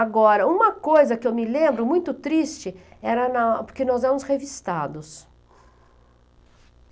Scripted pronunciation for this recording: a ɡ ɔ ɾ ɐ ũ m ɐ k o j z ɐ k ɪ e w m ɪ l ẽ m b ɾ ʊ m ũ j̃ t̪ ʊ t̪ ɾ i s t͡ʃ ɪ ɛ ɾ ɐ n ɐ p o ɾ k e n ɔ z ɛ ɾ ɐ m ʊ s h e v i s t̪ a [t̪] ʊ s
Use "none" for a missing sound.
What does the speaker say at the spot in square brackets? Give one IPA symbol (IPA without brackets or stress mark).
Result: d̪